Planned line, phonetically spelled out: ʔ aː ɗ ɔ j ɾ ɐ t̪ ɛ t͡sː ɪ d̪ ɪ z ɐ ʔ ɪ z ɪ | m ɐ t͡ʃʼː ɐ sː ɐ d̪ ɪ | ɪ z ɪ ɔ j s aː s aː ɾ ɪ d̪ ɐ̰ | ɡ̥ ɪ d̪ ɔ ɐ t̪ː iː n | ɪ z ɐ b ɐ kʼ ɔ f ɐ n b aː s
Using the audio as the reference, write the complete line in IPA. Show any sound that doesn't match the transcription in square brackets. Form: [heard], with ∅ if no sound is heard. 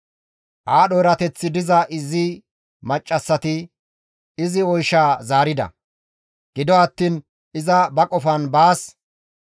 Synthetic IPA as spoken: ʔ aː ɗ ɔ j ɾ ɐ t̪ ɛ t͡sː ɪ d̪ ɪ z ɐ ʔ ɪ z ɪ | m ɐ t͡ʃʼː ɐ sː ɐ [t̪] ɪ | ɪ z ɪ ɔ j [ʃ] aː [z] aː ɾ ɪ d̪ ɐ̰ | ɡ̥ ɪ d̪ ɔ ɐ t̪ː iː n | ɪ z ɐ b ɐ kʼ ɔ f ɐ n b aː s